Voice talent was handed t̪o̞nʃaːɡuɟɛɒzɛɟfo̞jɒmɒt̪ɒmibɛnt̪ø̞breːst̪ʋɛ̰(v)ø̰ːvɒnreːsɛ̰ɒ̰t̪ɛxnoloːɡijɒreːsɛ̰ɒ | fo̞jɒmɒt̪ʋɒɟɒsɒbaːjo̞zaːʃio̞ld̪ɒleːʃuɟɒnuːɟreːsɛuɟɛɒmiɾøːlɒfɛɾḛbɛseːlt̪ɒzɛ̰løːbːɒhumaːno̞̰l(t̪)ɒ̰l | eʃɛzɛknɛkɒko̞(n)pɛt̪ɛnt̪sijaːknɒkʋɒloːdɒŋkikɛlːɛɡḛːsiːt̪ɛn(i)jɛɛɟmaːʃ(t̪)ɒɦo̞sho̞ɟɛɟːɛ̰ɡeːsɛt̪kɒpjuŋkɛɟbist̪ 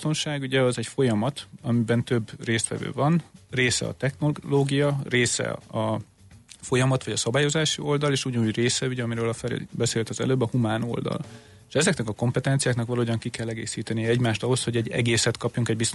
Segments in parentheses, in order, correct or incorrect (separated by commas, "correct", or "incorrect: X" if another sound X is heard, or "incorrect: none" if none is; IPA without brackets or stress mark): correct, incorrect: d̪, incorrect: m, correct, correct